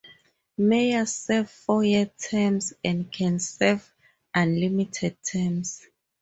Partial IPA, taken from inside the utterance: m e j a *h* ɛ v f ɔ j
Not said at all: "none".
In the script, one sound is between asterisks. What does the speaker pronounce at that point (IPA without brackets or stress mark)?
s